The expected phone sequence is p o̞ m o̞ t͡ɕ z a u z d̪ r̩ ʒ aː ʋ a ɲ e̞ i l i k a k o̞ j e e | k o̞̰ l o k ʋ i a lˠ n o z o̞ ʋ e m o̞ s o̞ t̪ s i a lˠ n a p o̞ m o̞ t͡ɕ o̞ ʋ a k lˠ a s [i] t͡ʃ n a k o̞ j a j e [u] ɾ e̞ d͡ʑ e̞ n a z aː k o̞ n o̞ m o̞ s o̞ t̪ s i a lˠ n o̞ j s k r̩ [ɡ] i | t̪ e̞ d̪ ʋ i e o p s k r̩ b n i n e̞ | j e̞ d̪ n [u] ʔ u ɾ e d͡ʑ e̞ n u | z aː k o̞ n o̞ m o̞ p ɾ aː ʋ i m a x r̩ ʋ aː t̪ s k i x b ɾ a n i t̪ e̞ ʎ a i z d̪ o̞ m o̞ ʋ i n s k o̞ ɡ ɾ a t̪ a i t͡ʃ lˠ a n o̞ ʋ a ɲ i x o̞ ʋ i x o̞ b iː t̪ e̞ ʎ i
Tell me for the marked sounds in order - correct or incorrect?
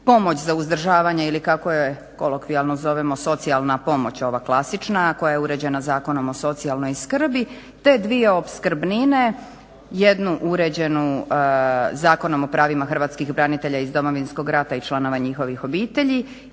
correct, correct, incorrect: b, correct

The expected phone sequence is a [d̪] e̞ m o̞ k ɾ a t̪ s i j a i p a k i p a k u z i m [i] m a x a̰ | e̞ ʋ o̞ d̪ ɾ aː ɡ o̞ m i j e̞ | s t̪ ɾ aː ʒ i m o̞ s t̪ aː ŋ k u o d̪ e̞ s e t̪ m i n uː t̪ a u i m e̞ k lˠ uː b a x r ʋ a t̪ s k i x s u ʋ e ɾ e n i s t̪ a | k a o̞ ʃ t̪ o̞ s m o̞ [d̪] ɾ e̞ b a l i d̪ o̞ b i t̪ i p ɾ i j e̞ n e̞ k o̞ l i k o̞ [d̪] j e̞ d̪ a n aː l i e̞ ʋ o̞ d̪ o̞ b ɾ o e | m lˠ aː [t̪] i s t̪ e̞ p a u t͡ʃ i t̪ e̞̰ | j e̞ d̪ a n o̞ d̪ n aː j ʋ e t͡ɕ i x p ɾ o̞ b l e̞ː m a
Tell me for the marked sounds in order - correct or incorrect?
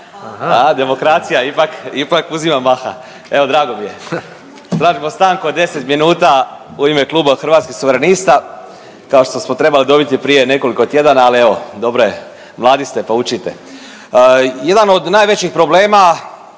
correct, incorrect: a, incorrect: t̪, incorrect: t̪, incorrect: d̪

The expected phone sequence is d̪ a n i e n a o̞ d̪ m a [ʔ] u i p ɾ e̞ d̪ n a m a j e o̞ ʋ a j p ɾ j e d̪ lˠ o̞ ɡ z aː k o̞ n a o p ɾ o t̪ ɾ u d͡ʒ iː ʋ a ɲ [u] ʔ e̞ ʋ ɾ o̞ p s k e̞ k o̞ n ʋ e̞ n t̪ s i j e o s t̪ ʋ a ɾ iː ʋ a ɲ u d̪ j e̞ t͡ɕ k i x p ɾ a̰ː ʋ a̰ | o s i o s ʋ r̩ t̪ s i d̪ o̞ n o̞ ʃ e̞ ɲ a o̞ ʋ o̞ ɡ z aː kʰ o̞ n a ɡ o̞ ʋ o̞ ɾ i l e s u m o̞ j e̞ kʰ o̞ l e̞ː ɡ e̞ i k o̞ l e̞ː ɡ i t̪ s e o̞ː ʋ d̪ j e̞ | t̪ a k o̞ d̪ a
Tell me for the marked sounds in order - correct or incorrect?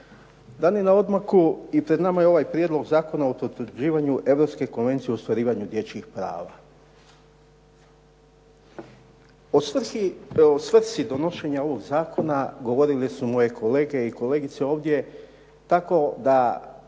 incorrect: k, correct

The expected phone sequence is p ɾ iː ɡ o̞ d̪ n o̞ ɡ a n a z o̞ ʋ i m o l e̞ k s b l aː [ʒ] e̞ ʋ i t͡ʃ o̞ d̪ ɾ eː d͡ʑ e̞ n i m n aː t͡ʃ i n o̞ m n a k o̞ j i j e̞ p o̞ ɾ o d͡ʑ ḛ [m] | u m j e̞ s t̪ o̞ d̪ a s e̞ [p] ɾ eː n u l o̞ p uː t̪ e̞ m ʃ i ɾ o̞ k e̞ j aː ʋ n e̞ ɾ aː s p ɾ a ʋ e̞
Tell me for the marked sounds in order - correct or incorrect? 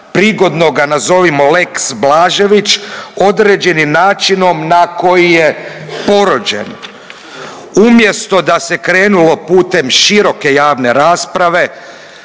correct, incorrect: n, incorrect: k

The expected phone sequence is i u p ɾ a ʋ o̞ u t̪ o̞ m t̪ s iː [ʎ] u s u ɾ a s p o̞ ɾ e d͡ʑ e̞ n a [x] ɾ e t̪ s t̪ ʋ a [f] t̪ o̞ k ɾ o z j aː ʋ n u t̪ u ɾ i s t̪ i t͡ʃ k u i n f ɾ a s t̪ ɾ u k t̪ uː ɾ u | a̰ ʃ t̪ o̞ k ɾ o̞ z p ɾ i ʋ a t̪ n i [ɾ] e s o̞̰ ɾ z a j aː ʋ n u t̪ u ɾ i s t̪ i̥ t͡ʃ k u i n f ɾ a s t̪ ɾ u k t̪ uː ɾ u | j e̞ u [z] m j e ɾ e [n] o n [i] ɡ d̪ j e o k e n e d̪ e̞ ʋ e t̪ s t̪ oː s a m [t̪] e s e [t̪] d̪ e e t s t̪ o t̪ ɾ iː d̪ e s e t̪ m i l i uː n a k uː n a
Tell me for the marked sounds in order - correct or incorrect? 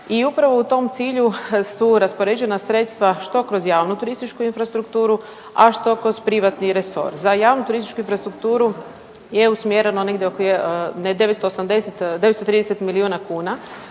correct, incorrect: s, incorrect: ʃ, correct, incorrect: s, correct, incorrect: e, incorrect: d̪, correct

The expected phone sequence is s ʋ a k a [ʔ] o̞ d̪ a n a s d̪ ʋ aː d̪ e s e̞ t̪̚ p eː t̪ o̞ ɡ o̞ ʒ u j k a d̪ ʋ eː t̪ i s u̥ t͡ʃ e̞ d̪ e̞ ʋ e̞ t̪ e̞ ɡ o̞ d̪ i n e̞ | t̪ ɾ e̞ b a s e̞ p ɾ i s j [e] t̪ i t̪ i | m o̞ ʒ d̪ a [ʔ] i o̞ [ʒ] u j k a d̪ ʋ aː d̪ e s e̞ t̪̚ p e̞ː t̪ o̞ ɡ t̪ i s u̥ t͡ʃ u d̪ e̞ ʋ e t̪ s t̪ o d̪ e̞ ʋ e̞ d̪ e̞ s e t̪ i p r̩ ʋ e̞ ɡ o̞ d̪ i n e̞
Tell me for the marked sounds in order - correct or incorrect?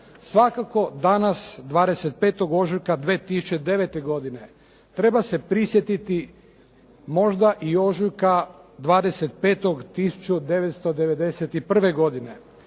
incorrect: k, correct, correct, correct

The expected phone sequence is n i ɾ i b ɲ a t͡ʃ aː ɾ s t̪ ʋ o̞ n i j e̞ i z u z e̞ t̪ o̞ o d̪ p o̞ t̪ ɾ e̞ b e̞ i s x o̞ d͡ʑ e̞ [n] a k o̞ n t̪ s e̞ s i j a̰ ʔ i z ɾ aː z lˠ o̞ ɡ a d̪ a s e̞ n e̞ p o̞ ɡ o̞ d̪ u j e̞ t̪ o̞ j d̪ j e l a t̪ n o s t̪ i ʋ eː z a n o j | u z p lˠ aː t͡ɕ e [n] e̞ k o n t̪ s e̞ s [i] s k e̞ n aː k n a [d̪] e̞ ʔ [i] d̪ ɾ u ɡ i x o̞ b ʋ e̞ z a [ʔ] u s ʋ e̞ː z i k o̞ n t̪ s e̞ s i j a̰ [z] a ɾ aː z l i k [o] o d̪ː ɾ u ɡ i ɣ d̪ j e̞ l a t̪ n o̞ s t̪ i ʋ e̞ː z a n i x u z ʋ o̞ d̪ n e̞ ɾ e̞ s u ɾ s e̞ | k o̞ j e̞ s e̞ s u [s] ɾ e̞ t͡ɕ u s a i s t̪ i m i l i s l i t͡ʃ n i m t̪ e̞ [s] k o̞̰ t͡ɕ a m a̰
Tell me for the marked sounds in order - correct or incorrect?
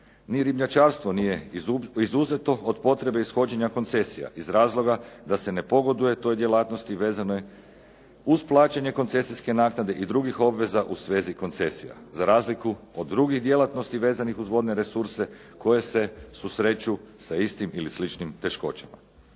incorrect: ɲ, incorrect: ɲ, correct, correct, correct, correct, correct, incorrect: u, correct, incorrect: ʃ

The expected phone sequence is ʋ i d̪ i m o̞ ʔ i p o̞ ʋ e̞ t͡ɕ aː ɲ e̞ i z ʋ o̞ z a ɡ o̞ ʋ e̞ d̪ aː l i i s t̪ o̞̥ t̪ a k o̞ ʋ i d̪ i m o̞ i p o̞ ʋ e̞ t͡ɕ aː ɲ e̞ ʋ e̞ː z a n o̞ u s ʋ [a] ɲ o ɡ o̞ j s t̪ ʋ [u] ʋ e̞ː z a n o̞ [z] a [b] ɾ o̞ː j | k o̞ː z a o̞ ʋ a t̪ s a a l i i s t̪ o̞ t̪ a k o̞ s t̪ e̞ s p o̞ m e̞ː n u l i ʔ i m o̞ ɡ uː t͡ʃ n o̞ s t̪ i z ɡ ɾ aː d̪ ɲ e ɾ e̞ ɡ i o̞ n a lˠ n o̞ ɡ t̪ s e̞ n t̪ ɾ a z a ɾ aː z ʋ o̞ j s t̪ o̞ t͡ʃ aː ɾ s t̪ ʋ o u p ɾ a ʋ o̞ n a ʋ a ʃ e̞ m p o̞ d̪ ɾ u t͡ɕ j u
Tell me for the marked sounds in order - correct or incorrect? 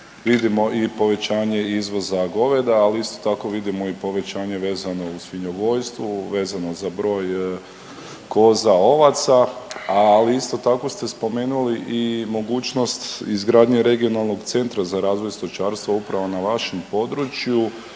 incorrect: i, correct, correct, correct

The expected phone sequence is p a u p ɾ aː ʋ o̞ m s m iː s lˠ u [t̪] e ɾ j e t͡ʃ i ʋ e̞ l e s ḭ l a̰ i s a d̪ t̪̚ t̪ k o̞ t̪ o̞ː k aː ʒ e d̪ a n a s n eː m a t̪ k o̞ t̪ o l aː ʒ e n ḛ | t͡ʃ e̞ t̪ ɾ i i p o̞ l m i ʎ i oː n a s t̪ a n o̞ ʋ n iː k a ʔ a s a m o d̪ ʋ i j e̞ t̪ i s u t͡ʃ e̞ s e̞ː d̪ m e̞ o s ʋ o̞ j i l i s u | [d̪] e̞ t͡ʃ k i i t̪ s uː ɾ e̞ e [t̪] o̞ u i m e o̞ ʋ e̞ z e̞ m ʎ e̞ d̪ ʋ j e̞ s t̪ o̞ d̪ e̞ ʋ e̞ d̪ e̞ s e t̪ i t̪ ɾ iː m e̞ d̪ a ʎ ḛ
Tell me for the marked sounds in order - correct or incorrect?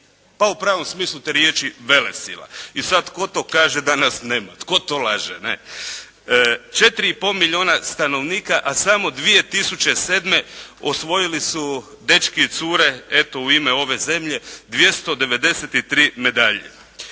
correct, correct, correct

